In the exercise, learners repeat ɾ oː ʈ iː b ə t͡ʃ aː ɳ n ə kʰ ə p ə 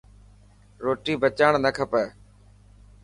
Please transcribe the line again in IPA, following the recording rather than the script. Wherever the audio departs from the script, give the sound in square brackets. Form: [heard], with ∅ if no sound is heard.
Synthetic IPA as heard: ɾ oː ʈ iː b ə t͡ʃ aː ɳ n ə kʰ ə p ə

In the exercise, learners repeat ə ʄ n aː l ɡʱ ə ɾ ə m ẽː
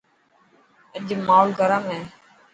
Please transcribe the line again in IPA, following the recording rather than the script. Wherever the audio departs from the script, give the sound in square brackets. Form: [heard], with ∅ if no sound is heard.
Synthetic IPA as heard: ə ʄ [m] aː l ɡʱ ə ɾ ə m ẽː

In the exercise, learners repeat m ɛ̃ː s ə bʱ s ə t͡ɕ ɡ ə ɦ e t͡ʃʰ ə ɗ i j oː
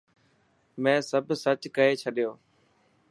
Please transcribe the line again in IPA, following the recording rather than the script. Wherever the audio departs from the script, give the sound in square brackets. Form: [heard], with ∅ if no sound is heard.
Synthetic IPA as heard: m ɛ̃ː s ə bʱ s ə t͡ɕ [k] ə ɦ e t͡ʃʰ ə ɗ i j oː

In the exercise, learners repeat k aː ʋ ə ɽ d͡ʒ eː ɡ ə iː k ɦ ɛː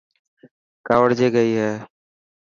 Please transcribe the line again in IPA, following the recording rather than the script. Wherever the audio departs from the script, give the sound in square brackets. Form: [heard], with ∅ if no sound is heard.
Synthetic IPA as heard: k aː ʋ ə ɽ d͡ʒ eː ɡ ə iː [∅] ɦ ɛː

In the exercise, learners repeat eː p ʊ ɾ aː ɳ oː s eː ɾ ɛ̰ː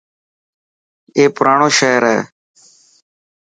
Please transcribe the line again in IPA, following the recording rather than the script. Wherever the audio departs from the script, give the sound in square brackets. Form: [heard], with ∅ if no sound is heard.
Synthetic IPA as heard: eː p ʊ ɾ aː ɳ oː [ʃ] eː ɾ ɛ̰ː

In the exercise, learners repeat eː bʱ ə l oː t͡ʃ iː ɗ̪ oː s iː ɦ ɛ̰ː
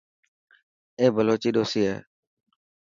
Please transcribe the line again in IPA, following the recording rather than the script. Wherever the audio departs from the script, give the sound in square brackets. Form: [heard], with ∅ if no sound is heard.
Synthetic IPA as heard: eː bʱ ə l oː t͡ʃ iː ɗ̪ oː s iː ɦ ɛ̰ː

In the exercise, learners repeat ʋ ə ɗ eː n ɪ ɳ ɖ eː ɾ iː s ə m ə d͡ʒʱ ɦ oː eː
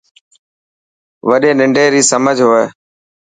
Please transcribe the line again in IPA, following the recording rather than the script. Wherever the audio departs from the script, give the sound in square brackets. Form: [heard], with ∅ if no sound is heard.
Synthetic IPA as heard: ʋ ə ɗ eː n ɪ ɳ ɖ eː ɾ iː s ə m ə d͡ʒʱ ɦ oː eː

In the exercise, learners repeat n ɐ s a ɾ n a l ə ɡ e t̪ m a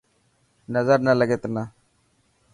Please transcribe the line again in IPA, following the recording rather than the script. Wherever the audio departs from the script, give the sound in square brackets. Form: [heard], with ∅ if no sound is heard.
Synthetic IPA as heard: n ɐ [z] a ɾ n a l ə ɡ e t̪ [n] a

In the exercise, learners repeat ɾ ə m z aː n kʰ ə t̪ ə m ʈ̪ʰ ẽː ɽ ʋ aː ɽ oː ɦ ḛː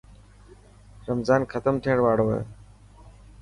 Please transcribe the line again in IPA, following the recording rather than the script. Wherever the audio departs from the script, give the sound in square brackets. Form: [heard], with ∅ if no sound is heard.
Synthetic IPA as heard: ɾ ə m z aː n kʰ ə t̪ ə m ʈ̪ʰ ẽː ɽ ʋ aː ɽ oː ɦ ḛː

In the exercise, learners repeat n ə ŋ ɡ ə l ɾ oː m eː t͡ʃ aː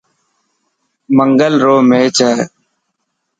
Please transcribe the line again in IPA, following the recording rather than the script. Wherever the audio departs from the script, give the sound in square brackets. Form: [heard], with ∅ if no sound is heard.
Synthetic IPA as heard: [m] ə ŋ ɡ ə l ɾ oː m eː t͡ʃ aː

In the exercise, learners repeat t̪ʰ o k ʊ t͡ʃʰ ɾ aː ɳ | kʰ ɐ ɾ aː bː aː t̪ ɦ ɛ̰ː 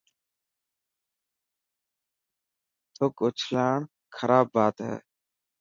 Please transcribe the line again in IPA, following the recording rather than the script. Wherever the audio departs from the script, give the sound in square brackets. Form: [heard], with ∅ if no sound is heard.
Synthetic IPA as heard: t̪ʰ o k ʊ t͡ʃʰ [l] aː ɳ | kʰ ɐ ɾ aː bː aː t̪ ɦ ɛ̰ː

